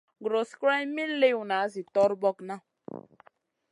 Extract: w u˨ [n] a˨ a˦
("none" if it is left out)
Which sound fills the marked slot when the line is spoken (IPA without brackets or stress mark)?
n